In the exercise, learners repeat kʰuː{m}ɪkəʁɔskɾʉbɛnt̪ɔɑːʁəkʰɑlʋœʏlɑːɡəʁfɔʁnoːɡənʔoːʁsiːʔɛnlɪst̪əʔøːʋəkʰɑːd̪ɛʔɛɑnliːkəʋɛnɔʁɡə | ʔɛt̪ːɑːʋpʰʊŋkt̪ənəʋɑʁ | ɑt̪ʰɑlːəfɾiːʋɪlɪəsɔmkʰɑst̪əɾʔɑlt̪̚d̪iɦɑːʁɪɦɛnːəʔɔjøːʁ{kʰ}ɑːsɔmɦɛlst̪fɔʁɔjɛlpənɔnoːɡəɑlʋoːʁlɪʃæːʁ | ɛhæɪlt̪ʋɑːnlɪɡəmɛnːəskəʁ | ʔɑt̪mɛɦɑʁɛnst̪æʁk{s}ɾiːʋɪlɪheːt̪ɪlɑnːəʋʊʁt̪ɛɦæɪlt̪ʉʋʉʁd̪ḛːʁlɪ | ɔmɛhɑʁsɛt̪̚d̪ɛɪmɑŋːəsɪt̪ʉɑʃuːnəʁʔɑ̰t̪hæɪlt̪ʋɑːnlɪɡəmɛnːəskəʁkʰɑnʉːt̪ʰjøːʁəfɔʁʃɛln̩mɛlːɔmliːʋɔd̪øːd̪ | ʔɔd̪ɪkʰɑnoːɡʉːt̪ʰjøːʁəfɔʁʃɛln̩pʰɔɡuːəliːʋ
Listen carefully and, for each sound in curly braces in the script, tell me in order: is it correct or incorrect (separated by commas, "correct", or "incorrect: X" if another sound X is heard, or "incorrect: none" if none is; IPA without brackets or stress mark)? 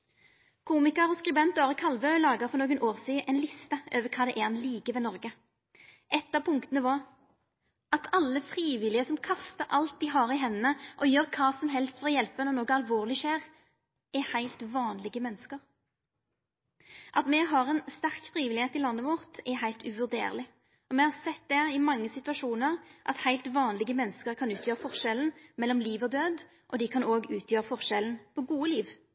correct, correct, incorrect: f